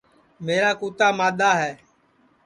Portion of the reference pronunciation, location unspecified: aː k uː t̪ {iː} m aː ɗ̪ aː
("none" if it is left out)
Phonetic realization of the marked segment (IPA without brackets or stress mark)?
aː